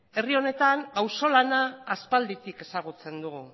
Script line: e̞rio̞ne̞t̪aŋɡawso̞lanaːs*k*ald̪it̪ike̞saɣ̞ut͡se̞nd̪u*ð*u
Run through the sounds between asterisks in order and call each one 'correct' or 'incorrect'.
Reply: incorrect, incorrect

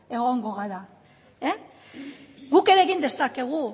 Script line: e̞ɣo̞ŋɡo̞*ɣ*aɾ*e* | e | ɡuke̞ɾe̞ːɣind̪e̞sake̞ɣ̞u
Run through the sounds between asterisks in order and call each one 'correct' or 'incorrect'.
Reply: correct, incorrect

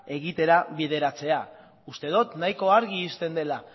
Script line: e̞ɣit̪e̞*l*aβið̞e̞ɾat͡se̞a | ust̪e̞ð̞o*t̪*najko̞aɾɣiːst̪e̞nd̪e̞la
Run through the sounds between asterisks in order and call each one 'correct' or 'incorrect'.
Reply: incorrect, correct

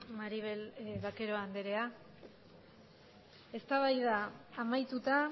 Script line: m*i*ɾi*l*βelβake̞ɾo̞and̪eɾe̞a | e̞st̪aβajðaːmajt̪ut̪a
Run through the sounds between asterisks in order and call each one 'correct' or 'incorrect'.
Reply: incorrect, incorrect

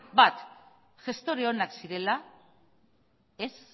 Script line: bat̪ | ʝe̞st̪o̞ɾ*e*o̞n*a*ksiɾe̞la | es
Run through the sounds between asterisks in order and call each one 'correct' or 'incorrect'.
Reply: correct, correct

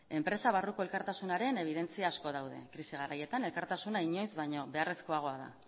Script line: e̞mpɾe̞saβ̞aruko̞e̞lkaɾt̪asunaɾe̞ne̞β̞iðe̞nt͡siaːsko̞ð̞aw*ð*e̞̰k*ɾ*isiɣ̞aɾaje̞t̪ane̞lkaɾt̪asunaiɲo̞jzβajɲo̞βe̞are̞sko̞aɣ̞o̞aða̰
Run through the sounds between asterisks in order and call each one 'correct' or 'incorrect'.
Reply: correct, correct

